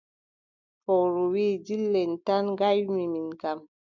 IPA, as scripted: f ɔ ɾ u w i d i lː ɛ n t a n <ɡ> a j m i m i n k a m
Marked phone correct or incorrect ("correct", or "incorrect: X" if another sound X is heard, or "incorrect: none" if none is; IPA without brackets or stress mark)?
correct